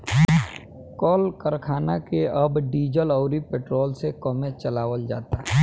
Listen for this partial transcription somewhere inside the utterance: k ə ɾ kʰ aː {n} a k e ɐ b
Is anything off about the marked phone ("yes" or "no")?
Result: no